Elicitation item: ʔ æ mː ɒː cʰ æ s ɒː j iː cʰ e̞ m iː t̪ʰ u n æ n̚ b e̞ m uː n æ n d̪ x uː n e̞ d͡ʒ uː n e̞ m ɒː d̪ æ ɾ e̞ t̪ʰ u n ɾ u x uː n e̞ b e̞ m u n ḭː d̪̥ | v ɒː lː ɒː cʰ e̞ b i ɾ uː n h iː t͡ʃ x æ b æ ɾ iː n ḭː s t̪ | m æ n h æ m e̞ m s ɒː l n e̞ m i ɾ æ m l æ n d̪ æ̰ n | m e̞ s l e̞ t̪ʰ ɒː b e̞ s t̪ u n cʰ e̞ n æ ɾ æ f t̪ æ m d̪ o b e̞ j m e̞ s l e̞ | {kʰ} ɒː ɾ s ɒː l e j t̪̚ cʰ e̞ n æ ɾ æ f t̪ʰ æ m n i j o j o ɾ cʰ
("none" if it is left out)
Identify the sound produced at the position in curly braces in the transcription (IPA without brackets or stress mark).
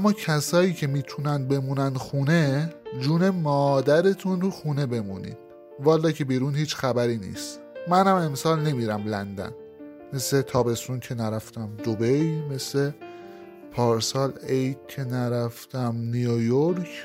pʰ